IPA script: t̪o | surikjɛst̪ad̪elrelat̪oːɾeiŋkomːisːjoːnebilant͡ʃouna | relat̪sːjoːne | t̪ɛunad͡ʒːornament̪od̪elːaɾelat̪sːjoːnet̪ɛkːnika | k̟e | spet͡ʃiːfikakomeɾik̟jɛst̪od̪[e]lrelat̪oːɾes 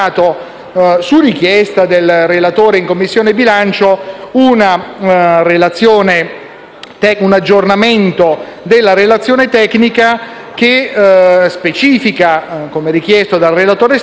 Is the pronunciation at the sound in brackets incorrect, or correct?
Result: incorrect